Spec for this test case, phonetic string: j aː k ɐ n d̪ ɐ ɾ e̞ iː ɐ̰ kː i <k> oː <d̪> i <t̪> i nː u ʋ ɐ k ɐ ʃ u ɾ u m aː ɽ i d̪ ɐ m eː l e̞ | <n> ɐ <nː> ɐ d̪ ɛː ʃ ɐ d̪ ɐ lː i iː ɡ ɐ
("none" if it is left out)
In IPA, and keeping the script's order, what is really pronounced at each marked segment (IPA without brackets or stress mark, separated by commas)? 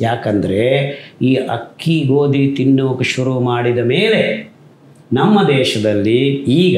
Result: ɡ, d̪, t̪, n, mː